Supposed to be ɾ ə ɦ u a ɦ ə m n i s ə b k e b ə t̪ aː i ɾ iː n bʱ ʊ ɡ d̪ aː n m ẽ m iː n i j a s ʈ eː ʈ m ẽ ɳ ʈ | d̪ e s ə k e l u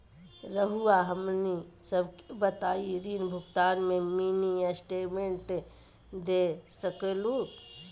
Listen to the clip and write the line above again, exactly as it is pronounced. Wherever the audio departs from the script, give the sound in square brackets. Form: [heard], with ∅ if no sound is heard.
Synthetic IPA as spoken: ɾ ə ɦ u a ɦ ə m n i s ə b k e b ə t̪ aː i ɾ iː n bʱ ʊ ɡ [t̪] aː n m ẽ m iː n i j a s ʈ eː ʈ m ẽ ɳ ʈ | d̪ e s ə k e l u